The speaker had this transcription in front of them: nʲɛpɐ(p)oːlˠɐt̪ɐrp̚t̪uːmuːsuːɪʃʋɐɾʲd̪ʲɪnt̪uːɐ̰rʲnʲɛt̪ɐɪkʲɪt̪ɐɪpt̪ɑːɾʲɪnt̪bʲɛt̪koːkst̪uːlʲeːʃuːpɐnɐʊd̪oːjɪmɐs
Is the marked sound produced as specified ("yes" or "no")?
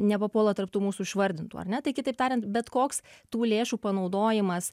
yes